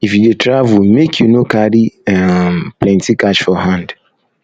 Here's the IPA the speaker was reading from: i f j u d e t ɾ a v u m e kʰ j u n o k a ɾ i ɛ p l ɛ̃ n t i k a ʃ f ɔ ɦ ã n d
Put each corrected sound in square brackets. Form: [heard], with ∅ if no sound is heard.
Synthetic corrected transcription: i f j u d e t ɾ a v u m e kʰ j u n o k a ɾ i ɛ p l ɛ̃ n t i k a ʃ f ɔ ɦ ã n d